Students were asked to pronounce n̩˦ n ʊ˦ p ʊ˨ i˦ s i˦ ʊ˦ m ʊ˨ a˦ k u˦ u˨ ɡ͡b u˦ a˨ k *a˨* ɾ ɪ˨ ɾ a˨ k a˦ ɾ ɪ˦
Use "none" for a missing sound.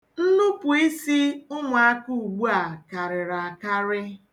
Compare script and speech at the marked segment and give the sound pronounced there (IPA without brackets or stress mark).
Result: a˨